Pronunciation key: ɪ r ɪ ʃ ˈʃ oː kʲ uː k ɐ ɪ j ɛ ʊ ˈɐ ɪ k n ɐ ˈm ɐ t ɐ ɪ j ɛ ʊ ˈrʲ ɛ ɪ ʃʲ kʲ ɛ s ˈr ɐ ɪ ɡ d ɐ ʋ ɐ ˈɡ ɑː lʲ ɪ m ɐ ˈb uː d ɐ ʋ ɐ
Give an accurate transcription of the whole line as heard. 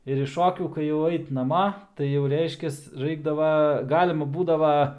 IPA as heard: ɪ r ɪ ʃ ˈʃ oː kʲ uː k ɐ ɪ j ɛ ʊ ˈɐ ɪ t n ɐ ˈm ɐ t ɐ ɪ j ɛ ʊ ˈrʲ ɛ ɪ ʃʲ kʲ ɛ s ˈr ɐ ɪ ɡ d ɐ ʋ ɐ ˈɡ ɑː lʲ ɪ m ɐ ˈb uː d ɐ ʋ ɐ